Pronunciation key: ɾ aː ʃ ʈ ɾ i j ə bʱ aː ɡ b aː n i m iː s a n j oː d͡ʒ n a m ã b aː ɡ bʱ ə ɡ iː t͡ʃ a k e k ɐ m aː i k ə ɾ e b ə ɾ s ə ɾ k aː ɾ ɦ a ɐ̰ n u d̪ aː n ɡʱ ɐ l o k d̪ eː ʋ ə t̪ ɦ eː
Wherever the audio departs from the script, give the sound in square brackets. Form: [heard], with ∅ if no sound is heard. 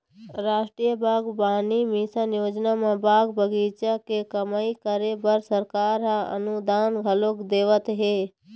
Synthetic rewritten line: ɾ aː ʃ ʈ ɾ i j ə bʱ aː ɡ b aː n i m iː s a n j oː d͡ʒ n a m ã b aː ɡ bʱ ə ɡ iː t͡ʃ a k e k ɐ m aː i k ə ɾ e b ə ɾ s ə ɾ k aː ɾ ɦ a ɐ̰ n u d̪ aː n ɡʱ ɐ l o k d̪ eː ʋ ə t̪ ɦ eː